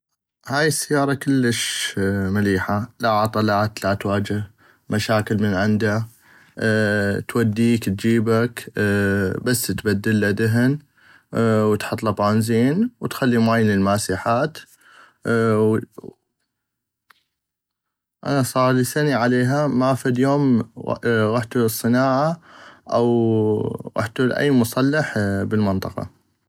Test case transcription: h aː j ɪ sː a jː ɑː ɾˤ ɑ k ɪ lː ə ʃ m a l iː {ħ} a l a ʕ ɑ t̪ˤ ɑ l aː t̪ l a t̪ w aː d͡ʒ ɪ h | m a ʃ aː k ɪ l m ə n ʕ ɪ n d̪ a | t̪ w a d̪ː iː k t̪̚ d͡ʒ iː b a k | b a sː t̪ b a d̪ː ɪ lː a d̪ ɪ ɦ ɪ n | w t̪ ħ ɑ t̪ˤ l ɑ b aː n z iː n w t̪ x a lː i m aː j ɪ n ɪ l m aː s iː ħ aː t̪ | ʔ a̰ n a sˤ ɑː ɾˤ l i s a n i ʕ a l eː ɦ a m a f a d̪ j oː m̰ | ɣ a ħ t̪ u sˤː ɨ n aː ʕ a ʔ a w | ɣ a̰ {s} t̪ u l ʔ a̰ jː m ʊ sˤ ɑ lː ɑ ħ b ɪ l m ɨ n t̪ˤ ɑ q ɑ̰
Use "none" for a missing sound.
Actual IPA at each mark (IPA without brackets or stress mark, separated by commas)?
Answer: ħ, ħ